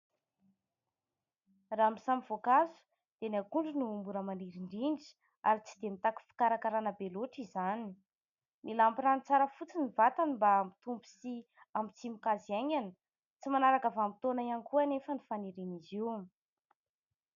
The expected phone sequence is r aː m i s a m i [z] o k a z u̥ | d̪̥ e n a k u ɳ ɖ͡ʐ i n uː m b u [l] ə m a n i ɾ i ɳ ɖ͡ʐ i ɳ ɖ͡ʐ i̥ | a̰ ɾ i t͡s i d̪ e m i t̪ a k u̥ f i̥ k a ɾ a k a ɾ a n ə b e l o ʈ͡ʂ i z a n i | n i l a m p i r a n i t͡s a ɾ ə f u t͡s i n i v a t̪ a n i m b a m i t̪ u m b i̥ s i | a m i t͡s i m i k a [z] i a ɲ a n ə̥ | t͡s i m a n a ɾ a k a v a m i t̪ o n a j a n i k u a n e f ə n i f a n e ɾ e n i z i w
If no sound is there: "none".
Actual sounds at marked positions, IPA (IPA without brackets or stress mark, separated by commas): v, ɾ, z